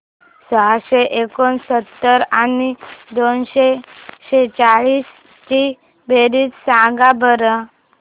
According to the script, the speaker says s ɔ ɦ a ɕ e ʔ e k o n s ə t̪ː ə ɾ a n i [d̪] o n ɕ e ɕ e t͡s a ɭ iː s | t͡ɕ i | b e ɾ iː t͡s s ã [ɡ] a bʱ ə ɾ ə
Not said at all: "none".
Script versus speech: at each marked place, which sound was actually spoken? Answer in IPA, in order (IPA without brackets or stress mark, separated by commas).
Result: d̪, ɡ